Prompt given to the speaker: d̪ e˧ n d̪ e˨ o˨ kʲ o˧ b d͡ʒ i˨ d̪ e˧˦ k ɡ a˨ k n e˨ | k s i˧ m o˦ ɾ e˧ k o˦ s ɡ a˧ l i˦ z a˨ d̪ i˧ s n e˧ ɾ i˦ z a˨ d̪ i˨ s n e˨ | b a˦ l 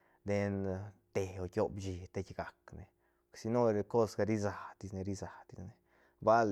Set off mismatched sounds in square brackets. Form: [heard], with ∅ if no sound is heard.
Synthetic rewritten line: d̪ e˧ n [t̪] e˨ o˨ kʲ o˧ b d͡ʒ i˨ [t̪] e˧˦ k ɡ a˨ k n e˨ | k s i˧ [n] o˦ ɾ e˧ k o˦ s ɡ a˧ [ɾ] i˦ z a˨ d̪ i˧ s n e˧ ɾ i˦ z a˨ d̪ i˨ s n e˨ | b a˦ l